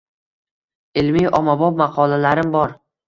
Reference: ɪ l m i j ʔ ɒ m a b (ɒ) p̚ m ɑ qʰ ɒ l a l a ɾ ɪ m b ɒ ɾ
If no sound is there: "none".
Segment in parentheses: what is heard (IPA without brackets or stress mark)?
ɒ